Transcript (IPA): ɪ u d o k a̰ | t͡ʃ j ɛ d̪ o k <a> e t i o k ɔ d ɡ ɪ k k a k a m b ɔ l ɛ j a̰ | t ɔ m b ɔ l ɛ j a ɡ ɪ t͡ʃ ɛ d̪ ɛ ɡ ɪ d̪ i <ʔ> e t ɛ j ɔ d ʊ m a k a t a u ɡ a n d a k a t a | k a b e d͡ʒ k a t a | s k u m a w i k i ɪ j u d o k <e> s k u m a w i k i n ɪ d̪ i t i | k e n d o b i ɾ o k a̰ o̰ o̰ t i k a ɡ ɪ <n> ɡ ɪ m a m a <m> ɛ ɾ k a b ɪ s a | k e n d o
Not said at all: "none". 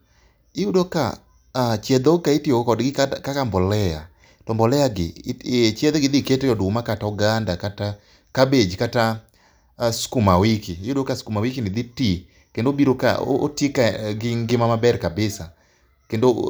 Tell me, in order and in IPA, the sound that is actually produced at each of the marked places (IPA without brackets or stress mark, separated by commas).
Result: a, k, a, ŋ, b